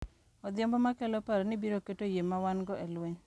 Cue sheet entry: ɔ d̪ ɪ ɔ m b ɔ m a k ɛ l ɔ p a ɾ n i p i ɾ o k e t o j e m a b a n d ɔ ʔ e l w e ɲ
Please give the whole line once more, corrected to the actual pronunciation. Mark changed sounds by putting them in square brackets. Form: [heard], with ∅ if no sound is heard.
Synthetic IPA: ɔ d̪ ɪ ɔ m b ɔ m a k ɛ l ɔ p a ɾ n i [b] i ɾ o k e t o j e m a [w] a n [ɡ] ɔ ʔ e l w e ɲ